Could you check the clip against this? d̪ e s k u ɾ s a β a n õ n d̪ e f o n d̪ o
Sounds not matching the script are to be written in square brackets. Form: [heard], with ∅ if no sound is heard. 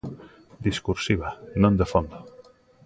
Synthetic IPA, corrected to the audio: d̪ [i] s k u ɾ s [i] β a n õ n d̪ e f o n d̪ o